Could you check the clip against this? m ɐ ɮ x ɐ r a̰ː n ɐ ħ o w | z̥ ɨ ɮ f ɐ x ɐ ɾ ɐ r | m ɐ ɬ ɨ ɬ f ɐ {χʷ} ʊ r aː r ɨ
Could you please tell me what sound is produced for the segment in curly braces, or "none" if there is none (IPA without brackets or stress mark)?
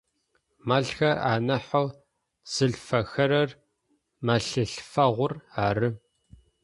ʁʷ